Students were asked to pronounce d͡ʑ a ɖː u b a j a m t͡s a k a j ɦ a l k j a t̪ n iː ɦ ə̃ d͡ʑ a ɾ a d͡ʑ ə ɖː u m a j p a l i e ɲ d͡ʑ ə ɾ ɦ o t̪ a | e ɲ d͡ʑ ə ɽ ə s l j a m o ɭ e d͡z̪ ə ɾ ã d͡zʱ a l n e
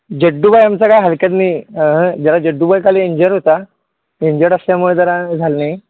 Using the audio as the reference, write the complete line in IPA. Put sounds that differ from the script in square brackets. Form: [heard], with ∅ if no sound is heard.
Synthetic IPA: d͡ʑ [ə] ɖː u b a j a m t͡s a k a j ɦ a l k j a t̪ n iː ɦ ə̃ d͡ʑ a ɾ a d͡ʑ ə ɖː u [b] a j [k] a l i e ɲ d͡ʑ ə ɾ ɦ o t̪ a | e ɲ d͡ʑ ə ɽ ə s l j a m [u] ɭ e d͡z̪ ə ɾ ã d͡zʱ a l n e